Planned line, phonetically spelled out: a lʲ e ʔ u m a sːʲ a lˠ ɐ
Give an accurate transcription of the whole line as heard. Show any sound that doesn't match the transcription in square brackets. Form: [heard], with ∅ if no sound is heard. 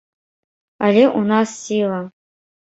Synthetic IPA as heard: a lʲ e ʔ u [n] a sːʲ [i] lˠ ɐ